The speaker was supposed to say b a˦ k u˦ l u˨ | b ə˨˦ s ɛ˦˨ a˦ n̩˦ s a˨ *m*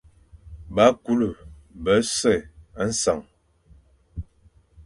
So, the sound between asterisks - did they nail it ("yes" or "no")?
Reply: no